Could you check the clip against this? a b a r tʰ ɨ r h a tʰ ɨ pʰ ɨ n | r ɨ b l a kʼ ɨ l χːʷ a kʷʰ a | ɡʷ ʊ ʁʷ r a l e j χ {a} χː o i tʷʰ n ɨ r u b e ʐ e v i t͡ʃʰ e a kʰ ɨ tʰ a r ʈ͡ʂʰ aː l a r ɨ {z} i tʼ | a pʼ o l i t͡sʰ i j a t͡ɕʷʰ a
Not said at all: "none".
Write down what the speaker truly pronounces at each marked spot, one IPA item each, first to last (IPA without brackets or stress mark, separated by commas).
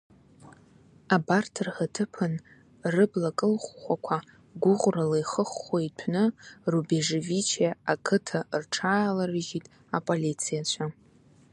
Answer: ə, ʒ